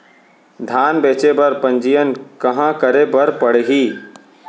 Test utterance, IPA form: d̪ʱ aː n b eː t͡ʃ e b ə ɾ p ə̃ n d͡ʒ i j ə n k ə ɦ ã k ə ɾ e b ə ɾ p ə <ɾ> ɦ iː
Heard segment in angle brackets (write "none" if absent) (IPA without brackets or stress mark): ɽ